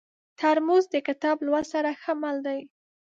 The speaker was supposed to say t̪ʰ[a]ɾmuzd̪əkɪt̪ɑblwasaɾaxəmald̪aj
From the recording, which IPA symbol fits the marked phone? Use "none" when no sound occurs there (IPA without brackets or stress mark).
a